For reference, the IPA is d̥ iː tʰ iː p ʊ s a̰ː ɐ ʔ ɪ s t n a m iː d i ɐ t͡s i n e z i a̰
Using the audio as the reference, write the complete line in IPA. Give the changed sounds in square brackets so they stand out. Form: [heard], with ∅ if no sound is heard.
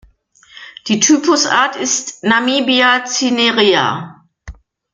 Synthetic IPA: d̥ iː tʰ [yː] p ʊ s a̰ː ɐ [t] ɪ s t n a m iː [b] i [a] t͡s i n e [ʁ] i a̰